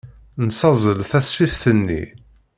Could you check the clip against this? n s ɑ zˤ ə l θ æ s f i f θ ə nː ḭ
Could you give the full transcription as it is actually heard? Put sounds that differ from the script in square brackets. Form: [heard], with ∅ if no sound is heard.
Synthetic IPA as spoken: n s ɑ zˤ ə l θ æ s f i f θ ə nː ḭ

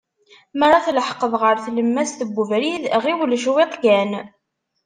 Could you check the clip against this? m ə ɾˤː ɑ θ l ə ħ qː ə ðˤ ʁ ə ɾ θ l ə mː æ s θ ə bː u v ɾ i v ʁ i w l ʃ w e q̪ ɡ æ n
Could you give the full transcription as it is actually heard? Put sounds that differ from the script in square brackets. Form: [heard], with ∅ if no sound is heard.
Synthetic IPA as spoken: m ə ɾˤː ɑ θ l ə ħ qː ə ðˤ ʁ ə ɾ θ l ə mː æ s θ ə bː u v ɾ i [ð] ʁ i w l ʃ w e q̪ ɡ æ n

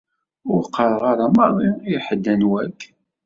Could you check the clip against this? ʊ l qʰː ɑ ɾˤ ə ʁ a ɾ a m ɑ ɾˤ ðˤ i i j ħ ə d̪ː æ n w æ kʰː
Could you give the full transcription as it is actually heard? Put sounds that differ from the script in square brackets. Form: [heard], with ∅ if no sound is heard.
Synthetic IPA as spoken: ʊ [ɾ] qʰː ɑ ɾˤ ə ʁ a ɾ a m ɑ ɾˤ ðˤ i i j ħ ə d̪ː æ n w æ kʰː

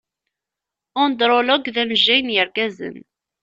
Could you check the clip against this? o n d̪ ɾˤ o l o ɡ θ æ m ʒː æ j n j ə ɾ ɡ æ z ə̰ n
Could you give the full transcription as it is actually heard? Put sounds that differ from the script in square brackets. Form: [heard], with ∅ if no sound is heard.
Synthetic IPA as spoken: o n d̪ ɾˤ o l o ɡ [ð] æ m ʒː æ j n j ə ɾ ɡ æ z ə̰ n

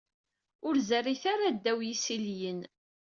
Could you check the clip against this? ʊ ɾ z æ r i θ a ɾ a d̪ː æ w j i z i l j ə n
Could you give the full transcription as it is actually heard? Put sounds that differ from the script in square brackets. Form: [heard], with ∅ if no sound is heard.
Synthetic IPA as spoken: ʊ ɾ z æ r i θ a ɾ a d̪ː æ w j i [s] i l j ə n

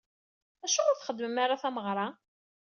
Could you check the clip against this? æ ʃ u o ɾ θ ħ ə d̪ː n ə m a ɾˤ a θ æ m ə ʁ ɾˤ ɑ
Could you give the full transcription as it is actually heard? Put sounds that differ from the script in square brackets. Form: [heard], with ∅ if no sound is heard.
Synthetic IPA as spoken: æ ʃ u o ɾ θ [χ] ə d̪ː [m] ə m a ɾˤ a θ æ m ə ʁ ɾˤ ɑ

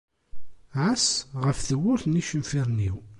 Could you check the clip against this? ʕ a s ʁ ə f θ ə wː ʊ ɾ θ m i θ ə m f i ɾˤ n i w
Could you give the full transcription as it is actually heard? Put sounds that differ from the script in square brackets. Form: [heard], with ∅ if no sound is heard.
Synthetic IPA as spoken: ʕ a s ʁ ə f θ ə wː ʊ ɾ θ [n] i [ʃ] ə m f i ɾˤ n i w

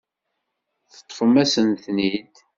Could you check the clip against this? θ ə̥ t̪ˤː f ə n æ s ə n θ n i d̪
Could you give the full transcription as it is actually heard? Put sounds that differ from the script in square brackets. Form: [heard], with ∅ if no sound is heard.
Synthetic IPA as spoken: θ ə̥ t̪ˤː f ə [m] æ s ə n θ n i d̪

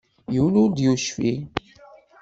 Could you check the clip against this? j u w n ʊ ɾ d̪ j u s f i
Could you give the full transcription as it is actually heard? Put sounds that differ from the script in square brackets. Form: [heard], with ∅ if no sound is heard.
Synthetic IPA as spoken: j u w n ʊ ɾ d̪ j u [ʃ] f i

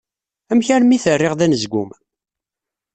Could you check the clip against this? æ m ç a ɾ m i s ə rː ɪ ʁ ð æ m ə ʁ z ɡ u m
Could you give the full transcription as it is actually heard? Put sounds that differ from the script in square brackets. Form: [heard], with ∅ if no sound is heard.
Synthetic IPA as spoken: æ m ç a ɾ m i [θ] ə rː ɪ ʁ ð æ [n] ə [∅] z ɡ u m

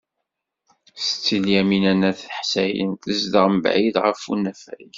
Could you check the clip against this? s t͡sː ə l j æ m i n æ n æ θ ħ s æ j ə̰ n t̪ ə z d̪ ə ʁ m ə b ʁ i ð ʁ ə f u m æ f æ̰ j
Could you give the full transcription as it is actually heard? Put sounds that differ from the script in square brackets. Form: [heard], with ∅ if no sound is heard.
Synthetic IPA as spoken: s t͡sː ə l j æ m i n æ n æ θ ħ s æ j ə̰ n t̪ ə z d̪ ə ʁ m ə b [ʕ] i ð ʁ ə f u [n] æ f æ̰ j

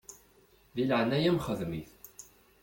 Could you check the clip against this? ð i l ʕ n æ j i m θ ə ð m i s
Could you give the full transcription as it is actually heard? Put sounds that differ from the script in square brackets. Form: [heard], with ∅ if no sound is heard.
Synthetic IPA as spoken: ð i l ʕ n æ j [æ] m [χ] ə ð m i [θ]

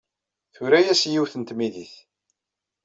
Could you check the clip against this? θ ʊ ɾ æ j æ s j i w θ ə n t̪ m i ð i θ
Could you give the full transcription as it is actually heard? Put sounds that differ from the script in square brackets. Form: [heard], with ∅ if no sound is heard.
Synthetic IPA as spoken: θ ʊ ɾ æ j æ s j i w θ ə n t̪ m i ð i θ

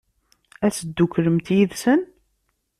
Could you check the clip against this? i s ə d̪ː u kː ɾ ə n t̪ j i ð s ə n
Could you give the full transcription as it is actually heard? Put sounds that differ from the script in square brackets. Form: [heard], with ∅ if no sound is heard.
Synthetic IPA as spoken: [æ] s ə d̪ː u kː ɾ ə [m] t̪ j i ð s ə n

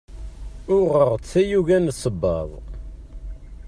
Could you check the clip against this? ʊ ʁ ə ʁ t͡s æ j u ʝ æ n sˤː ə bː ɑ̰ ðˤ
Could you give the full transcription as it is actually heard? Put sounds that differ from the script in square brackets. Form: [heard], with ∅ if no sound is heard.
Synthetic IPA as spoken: ʊ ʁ ə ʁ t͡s æ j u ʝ æ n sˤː ə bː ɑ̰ ðˤ

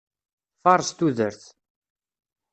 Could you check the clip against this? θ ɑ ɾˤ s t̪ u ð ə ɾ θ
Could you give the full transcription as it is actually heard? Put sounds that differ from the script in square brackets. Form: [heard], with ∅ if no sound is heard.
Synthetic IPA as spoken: [f] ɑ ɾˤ s t̪ u ð ə ɾ θ

